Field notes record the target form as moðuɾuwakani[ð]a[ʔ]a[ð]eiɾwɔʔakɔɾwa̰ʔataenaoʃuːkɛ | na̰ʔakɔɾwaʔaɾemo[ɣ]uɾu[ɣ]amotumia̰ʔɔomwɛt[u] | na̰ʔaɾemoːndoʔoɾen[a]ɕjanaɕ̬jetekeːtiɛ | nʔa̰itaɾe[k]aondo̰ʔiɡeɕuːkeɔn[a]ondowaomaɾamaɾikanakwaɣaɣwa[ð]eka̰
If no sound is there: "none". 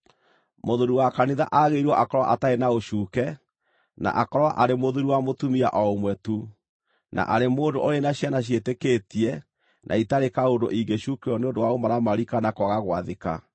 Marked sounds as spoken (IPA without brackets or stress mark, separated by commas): ð, ʔ, ɣ, ð, w, u, a, k, e, ð